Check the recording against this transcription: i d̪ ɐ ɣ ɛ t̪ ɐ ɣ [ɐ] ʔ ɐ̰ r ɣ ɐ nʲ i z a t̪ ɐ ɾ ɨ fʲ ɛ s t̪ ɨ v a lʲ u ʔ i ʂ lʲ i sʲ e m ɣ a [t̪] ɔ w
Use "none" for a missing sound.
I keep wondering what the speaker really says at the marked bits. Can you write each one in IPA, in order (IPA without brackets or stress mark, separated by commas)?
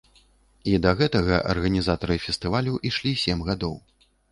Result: ɐ, d̪